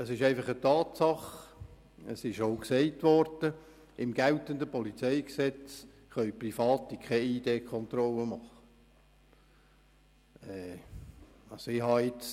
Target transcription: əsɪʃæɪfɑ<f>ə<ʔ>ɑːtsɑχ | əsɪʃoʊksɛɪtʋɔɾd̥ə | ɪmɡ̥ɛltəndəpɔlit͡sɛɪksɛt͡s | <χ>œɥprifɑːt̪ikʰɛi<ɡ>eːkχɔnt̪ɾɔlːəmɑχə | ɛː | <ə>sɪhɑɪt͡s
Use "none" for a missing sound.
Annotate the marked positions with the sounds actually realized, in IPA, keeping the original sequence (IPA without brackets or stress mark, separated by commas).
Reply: χ, t, χ, d, ɑ